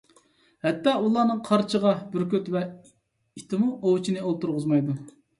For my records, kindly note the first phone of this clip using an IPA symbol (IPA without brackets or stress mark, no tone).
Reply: h